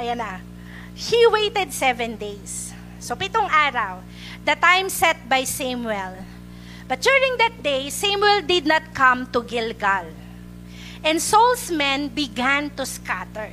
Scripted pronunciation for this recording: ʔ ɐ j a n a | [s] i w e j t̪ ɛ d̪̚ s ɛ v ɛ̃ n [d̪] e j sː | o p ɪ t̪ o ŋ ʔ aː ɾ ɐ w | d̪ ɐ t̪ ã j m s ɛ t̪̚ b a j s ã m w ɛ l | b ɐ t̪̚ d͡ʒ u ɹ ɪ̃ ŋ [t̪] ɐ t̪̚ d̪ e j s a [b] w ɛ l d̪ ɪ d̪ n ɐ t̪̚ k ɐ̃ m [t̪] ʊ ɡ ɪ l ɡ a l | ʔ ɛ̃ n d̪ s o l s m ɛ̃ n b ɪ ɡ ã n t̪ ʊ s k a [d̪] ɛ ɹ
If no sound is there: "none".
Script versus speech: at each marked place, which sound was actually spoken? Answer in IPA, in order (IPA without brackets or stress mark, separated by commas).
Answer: h, d̪, d̪, m, t̪, t̪